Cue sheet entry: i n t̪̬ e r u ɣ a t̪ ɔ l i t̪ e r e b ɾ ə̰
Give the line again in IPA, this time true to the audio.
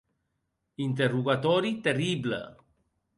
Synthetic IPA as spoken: i n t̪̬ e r u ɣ a t̪ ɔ ɾ i t̪ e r i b l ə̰